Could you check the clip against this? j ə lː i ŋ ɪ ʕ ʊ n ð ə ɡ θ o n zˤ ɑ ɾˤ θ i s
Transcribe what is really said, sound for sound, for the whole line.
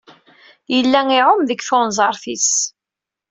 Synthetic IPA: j ə lː æ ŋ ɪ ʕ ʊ m ð ə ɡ θ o n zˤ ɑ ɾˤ θ i s